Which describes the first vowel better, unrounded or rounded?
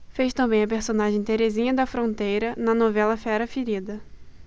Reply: unrounded